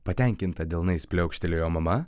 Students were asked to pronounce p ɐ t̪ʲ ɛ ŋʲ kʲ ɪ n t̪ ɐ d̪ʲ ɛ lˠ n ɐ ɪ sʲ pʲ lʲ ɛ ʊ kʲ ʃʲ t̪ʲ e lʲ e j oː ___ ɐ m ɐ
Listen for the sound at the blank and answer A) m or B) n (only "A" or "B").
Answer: A